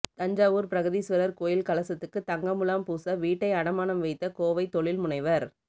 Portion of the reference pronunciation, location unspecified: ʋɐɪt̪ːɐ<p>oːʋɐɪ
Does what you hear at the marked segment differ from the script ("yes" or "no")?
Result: yes